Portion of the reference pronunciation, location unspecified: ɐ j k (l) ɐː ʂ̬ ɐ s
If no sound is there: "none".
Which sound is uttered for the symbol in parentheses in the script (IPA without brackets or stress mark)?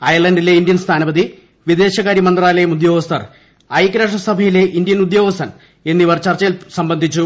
ɾ